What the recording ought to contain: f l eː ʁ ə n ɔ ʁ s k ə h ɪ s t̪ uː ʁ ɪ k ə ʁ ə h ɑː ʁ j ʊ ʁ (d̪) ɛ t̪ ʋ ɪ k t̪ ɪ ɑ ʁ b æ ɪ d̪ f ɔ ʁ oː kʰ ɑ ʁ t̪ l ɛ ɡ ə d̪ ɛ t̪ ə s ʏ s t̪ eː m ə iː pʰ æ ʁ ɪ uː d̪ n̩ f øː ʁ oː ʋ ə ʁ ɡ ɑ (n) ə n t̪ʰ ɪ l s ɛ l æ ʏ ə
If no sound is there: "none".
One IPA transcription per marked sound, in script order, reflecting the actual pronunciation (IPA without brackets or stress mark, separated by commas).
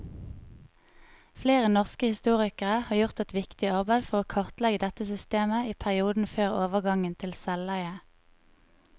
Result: t̪, ŋ